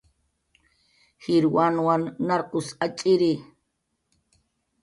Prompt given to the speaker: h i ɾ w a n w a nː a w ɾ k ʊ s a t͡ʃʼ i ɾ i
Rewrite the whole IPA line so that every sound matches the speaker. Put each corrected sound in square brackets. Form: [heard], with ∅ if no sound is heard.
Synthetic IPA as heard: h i ɾ w a n w a nː a [∅] ɾ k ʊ s a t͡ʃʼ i ɾ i

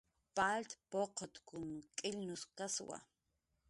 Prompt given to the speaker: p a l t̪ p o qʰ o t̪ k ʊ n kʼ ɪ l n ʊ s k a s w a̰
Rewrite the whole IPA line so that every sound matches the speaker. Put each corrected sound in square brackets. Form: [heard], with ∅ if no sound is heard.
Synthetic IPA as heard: p a l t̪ p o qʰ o t̪ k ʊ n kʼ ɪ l n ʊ s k a s w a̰

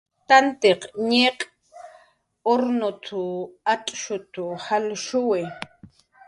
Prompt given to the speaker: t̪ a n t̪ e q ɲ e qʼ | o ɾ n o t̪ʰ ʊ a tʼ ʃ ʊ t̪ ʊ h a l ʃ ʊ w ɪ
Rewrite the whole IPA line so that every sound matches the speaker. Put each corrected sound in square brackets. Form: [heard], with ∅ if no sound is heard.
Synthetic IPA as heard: t̪ a n t̪ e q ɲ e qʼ | o ɾ n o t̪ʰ ʊ a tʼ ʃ ʊ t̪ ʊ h a l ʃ ʊ w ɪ

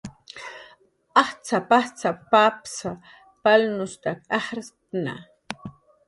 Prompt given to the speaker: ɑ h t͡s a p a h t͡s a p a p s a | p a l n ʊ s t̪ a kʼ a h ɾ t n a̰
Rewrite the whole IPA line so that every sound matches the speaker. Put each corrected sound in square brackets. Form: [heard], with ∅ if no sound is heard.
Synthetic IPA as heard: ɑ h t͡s a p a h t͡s a p a p s a | p a l n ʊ s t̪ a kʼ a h ɾ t n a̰

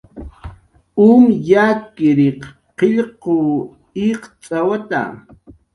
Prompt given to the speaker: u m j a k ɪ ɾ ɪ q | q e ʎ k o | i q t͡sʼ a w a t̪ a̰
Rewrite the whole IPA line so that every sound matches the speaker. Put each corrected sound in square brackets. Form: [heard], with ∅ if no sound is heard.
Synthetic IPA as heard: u m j a k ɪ ɾ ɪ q | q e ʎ [q] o | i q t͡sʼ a w a t̪ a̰

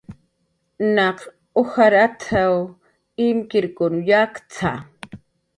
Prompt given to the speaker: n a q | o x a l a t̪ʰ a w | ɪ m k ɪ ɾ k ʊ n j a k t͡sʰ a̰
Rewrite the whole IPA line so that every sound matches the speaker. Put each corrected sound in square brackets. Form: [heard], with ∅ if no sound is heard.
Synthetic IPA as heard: n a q | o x a [ɾ] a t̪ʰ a w | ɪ m k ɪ ɾ k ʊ n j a k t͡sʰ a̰

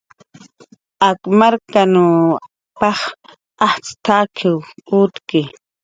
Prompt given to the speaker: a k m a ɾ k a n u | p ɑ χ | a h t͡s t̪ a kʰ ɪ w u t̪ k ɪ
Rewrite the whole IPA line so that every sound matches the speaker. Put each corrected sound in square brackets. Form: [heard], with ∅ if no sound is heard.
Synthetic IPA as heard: a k m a ɾ k a n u | p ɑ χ | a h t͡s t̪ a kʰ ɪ w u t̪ k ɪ

